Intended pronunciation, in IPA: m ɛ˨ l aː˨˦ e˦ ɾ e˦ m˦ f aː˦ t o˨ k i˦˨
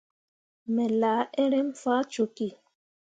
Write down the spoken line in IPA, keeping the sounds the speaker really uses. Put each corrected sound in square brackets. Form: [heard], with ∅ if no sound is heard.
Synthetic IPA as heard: m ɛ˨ l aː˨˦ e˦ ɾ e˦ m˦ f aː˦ [t͡ʃ] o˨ k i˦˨